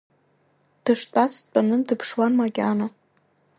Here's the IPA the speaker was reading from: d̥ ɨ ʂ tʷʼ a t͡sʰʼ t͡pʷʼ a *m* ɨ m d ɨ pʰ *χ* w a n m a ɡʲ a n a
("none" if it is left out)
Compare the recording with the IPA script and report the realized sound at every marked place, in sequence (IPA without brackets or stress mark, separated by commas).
n, ʂ